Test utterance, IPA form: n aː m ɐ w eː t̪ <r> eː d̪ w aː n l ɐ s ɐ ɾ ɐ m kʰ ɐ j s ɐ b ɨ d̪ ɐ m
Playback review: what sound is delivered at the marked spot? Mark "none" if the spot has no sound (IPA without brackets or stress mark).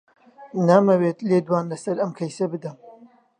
l